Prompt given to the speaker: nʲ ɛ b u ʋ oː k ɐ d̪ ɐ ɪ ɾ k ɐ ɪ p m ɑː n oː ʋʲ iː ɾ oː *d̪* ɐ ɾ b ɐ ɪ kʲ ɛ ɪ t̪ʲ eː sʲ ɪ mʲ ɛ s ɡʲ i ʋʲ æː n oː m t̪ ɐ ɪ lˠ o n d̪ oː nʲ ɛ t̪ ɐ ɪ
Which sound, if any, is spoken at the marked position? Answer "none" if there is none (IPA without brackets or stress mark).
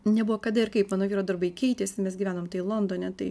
d̪